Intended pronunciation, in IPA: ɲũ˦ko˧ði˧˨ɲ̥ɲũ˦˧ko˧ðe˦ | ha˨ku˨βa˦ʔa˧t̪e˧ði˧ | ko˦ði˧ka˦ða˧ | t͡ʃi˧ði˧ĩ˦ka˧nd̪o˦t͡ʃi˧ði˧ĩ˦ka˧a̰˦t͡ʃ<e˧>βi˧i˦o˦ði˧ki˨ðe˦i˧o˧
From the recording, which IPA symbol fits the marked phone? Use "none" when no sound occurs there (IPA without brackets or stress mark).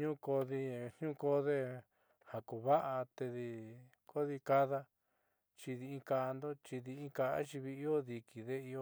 i˧